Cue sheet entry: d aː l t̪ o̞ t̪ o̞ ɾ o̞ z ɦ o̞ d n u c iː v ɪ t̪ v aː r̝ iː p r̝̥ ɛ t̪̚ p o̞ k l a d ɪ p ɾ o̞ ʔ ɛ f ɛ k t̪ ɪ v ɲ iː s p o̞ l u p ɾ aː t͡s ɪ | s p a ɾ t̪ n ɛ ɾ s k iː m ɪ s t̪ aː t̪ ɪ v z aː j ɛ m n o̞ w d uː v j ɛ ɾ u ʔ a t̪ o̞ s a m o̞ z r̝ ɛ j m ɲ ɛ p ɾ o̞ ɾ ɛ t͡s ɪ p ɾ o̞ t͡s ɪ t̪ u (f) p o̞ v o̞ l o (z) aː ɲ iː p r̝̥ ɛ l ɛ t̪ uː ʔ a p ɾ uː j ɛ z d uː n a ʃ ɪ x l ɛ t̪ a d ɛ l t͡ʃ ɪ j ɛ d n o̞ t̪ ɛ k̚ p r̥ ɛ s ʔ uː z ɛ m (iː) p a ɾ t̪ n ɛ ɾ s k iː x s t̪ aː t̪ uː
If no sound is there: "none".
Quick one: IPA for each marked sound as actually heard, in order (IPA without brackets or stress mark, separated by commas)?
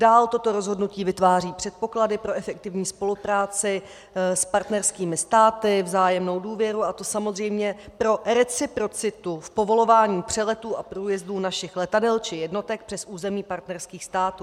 f, v, iː